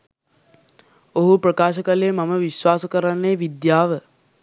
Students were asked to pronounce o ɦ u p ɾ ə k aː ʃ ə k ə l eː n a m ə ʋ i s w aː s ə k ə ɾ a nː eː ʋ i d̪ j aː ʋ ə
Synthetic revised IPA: o ɦ u p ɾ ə k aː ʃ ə k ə l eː m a m ə ʋ i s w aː s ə k ə ɾ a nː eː ʋ i d̪ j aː ʋ ə